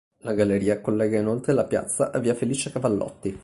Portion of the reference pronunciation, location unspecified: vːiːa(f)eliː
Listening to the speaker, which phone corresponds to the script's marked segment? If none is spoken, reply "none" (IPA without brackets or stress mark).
f